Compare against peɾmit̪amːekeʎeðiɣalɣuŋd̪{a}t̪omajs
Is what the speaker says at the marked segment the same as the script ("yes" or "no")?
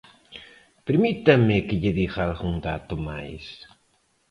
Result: yes